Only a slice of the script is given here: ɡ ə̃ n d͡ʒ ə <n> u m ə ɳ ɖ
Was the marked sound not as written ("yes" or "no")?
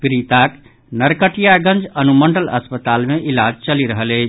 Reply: no